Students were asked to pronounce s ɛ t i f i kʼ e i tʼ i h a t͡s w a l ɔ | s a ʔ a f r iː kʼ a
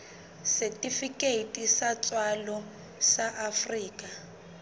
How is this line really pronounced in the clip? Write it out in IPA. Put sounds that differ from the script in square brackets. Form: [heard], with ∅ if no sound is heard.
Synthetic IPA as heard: s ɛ t i f i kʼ e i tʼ i [s] a t͡s w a l ɔ | s a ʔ a f r iː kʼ a